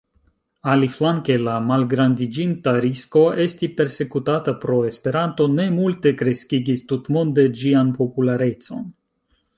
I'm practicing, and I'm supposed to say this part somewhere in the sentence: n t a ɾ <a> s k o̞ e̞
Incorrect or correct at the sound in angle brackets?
incorrect: i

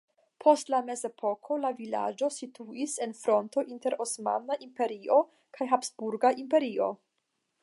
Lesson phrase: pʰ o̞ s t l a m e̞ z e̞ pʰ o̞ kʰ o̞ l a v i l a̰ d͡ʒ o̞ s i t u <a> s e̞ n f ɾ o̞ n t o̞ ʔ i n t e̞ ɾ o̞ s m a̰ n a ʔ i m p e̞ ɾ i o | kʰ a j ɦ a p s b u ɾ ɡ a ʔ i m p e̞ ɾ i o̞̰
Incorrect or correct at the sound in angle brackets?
incorrect: i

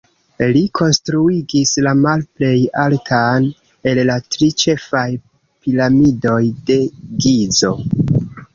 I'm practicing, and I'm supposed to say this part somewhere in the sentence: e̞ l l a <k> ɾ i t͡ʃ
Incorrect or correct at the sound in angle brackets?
incorrect: t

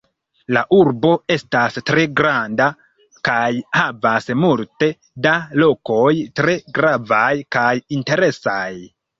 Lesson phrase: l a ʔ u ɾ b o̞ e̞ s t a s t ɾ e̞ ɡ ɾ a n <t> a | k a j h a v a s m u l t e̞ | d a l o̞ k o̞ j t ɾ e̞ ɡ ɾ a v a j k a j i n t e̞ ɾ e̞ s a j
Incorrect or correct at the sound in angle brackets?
incorrect: d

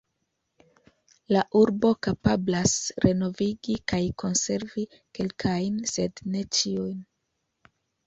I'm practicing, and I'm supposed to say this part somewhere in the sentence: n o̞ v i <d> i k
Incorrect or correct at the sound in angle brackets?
incorrect: ɡ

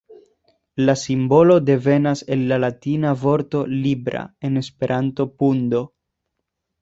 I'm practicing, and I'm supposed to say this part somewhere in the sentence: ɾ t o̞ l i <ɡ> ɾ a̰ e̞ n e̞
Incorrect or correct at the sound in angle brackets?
incorrect: b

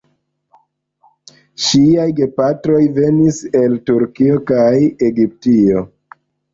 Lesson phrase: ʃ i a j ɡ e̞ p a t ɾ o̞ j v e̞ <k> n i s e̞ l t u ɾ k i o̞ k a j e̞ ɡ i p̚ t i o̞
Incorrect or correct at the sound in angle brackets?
incorrect: none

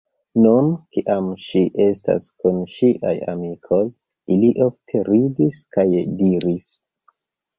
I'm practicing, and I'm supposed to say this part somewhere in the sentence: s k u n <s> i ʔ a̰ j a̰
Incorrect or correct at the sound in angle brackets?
incorrect: ʃ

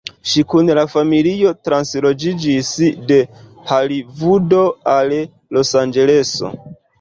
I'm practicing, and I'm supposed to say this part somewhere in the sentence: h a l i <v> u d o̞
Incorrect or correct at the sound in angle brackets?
correct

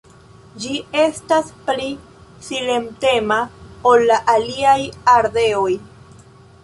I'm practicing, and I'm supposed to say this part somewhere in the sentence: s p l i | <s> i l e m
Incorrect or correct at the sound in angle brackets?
correct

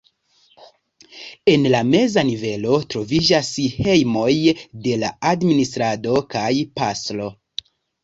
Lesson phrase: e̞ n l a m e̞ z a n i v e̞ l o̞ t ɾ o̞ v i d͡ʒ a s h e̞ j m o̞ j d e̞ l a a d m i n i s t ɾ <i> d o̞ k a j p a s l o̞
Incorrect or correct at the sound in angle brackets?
incorrect: a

